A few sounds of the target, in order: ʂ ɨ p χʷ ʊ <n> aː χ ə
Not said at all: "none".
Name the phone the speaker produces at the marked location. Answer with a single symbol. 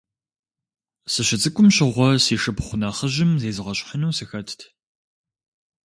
n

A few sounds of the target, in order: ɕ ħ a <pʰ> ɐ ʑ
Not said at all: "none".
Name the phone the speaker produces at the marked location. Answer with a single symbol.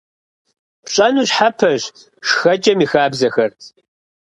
pʰ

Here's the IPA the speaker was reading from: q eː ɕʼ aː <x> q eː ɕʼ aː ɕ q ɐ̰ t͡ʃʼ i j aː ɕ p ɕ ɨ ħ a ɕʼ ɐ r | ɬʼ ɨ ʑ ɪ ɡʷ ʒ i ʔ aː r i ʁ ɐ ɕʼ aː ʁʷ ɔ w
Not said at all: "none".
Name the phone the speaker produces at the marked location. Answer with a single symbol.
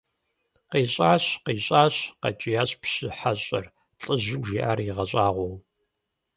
ɕ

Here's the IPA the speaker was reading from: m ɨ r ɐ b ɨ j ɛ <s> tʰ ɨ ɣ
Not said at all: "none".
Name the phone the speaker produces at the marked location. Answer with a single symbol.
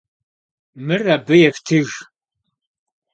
f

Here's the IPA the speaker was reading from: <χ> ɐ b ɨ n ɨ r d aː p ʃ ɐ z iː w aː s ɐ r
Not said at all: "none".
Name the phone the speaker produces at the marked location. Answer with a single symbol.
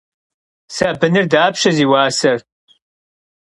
s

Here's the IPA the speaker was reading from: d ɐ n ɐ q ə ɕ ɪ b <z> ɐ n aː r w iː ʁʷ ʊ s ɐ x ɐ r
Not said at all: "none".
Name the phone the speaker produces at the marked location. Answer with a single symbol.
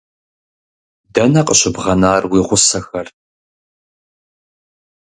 ʁ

